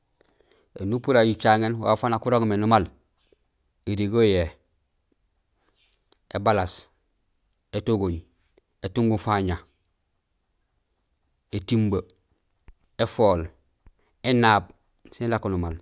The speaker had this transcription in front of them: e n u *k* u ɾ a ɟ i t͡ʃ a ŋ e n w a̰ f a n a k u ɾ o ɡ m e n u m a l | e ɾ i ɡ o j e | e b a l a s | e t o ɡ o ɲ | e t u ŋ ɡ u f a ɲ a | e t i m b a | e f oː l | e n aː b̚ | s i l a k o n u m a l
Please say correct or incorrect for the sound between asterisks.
incorrect